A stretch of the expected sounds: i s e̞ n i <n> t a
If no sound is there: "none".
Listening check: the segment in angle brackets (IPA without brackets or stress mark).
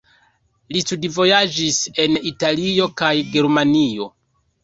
none